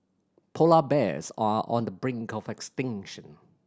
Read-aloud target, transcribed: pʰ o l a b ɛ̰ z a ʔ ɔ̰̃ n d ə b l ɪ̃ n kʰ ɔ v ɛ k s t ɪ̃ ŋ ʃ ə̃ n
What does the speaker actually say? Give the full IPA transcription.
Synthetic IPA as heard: pʰ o l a b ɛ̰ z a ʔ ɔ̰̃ n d ə b ɹ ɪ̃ ŋ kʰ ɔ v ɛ k s t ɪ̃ ŋ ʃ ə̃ n